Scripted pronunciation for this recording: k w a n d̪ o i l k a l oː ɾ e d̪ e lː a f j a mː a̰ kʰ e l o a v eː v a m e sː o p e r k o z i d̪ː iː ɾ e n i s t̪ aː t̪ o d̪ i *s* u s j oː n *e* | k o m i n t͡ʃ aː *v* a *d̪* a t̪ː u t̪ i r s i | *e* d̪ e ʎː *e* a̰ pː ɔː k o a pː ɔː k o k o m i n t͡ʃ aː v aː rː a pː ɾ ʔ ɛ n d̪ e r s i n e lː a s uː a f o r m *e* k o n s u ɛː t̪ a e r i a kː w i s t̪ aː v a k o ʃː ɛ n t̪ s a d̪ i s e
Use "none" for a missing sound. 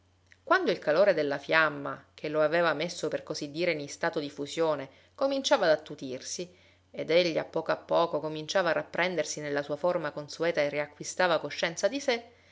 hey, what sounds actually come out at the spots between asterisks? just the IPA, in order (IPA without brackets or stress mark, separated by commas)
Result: f, e, v, d̪, e, i, a